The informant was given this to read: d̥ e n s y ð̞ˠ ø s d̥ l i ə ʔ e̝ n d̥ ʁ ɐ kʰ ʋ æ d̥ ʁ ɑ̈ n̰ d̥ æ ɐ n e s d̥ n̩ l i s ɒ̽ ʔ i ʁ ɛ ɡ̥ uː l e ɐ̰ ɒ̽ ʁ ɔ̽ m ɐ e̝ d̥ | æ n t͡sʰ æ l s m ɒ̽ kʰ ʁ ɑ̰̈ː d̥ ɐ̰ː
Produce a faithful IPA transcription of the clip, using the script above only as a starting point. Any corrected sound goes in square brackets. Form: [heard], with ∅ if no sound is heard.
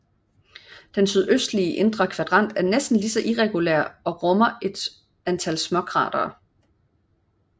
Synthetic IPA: d̥ e n s y ð̞ˠ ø s d̥ l i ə ʔ e̝ n d̥ ʁ ɐ kʰ ʋ æ d̥ ʁ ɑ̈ n̰ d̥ æ ɐ n e s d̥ n̩ l i s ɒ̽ ʔ i ʁ ɛ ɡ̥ [u] l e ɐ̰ ɒ̽ ʁ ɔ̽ m ɐ e̝ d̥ | æ n t͡sʰ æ l s m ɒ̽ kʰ ʁ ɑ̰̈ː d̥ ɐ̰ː